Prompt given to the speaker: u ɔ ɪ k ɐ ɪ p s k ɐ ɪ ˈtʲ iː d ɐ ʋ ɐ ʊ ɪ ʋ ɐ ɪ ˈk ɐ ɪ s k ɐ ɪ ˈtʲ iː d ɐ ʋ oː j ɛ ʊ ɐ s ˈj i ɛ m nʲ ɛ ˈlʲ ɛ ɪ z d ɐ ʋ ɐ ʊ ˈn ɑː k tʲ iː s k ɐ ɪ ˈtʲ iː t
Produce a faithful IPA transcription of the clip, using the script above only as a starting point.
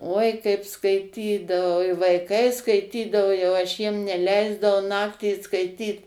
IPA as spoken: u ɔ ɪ k ɐ ɪ p s k ɐ ɪ ˈtʲ iː d ɐ ʋ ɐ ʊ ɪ ʋ ɐ ɪ ˈk ɐ ɪ s k ɐ ɪ ˈtʲ iː d ɐ ʋ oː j ɛ ʊ ɐ ʃ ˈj i ɛ m nʲ ɛ ˈlʲ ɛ ɪ z d ɐ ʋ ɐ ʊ ˈn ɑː k tʲ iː s k ɐ ɪ ˈtʲ iː t